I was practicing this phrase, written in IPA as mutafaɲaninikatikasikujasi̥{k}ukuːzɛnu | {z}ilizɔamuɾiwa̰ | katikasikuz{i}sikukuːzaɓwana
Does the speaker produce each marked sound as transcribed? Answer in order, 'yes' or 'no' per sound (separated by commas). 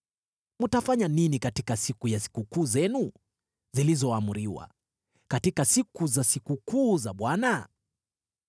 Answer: yes, yes, no